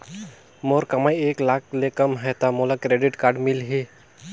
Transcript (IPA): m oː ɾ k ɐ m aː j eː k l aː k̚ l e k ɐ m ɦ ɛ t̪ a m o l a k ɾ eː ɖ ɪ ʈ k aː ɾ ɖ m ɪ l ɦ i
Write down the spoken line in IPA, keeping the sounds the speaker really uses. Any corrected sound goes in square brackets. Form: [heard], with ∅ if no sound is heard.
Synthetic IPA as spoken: m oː ɾ k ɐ m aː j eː k l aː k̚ l e k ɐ m ɦ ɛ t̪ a m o l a k ɾ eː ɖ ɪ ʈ k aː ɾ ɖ m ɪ l ɦ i